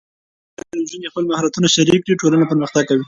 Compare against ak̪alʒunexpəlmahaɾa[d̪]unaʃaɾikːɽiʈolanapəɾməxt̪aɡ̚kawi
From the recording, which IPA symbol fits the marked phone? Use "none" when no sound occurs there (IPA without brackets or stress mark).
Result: t̪